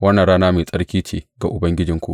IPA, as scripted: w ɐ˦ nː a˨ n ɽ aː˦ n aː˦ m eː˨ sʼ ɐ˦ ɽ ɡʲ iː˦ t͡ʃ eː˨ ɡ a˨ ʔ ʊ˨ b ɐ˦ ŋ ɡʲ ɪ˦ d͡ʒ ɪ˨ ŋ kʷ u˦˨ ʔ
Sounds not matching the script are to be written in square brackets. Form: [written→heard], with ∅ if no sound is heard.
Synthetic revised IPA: w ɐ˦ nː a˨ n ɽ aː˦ n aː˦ m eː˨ sʼ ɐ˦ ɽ [ɡʲ→kʲ] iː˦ t͡ʃ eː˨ ɡ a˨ ʔ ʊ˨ b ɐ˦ ŋ ɡʲ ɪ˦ d͡ʒ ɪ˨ ŋ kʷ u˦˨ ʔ